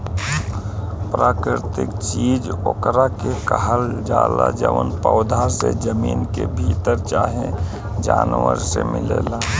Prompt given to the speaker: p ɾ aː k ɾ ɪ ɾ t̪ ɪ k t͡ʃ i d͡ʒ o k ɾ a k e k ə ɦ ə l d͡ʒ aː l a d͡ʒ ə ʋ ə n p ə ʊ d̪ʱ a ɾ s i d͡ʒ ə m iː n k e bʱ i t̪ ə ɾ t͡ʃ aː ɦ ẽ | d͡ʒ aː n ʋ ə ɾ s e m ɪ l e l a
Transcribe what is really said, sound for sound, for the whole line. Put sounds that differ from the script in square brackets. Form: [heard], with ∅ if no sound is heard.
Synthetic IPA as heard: p ɾ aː k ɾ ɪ ɾ t̪ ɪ k t͡ʃ i d͡ʒ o k ɾ a k e k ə ɦ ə l d͡ʒ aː l a d͡ʒ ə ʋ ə n p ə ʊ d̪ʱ a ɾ s [e] d͡ʒ ə m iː n k e bʱ i t̪ ə ɾ t͡ʃ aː ɦ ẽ | d͡ʒ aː n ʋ ə ɾ s e m ɪ l e l a